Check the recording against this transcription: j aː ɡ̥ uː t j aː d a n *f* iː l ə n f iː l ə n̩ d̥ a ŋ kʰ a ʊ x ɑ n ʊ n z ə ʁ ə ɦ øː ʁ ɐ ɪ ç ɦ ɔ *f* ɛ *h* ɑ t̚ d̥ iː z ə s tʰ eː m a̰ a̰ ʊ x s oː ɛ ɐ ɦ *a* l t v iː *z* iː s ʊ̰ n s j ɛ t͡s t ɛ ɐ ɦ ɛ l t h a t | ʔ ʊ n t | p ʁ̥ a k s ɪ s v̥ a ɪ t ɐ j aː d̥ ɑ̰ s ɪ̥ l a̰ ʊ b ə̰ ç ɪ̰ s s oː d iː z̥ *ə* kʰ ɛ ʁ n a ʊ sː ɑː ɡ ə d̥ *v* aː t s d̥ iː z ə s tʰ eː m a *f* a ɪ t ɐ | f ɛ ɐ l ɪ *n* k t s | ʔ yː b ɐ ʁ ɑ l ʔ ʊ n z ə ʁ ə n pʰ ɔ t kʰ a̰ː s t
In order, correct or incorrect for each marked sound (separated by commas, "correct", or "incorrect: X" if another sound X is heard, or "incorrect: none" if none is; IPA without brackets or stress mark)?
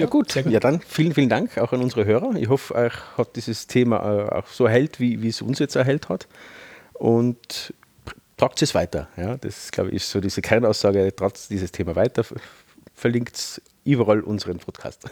correct, correct, correct, incorrect: ɛ, incorrect: v, correct, incorrect: ʁ, incorrect: v, incorrect: ŋ